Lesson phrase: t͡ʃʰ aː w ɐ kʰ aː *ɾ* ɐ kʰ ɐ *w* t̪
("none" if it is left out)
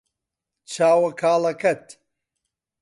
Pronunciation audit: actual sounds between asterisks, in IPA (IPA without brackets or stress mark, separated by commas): l, none